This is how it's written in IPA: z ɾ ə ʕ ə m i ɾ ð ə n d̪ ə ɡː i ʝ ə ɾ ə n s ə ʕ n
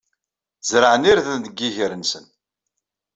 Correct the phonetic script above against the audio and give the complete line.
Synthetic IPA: z ɾ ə ʕ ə n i ɾ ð ə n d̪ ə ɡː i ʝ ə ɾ ə n s ə n

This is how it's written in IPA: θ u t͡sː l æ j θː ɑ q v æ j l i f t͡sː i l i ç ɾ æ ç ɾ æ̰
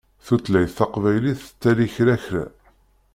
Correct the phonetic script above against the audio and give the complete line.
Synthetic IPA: θ u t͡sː l æ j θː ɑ q v æ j l i θ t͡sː æ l i ç ɾ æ ç ɾ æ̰

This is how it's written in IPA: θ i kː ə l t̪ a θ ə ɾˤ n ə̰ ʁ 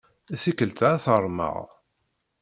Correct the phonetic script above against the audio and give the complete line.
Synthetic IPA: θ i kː ə l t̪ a θ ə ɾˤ m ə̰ ʁ

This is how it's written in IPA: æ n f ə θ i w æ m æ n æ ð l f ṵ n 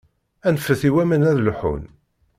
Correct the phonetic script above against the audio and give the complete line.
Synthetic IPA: æ n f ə θ i w æ m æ n æ ð l ħ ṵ n

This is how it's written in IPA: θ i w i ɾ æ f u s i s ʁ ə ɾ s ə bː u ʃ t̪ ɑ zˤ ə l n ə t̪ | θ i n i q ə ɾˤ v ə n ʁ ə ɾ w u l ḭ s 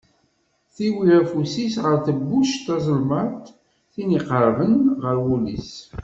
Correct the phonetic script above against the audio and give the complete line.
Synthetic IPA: θ i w i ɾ æ f u s i s ʁ ə ɾ θ ə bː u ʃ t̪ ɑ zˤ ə l m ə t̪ | θ i n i q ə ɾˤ v ə n ʁ ə ɾ w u l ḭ s

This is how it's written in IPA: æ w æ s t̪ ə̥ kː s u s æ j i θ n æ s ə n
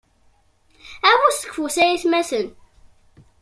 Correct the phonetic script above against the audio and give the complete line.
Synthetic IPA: æ w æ s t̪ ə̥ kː f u s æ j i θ m æ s ə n

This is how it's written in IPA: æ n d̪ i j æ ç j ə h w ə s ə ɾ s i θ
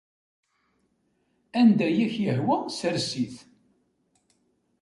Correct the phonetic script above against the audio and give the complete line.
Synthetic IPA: æ n d̪ æ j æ ç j ə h w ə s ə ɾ s i θ

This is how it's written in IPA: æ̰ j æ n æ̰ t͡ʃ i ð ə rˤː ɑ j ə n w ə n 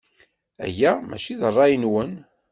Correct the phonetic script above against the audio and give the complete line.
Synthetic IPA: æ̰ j æ m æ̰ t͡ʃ i ð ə rˤː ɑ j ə n w ə n

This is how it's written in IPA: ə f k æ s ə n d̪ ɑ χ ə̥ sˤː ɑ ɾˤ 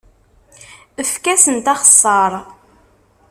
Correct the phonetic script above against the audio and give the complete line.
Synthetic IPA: ə f k æ s ə n t̪ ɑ χ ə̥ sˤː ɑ ɾˤ

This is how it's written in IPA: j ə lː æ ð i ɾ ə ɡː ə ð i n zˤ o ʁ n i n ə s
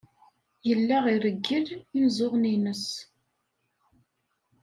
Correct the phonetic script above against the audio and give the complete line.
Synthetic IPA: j ə lː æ ʁ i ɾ ə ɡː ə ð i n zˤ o ʁ n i n ə s

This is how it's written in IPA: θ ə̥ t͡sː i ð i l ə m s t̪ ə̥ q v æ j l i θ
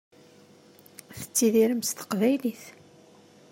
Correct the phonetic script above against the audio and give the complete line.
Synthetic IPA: θ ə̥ t͡sː i ð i ɾ ə m s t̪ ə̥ q v æ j l i θ

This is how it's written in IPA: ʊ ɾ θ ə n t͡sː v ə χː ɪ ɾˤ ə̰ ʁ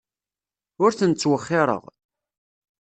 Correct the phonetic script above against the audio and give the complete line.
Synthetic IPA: ʊ ɾ θ ə n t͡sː w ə χː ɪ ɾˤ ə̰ ʁ

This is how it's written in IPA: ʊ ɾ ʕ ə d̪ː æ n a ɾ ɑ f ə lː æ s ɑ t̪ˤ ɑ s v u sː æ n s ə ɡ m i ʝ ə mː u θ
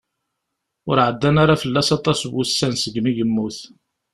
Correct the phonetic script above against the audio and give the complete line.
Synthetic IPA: ʊ ɾ ʕ ə d̪ː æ n a ɾ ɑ f ə lː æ s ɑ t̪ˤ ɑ s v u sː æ n s ə ɡ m i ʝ ə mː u θ

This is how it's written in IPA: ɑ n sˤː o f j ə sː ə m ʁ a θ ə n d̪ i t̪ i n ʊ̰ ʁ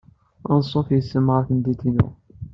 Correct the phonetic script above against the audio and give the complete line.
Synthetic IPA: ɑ n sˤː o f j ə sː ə m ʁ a θ ə n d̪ i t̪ i n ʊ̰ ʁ

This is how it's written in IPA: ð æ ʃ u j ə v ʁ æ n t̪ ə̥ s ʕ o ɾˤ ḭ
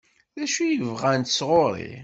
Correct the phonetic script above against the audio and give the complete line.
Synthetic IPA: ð æ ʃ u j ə v ʁ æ n t̪ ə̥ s ʁ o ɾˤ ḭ

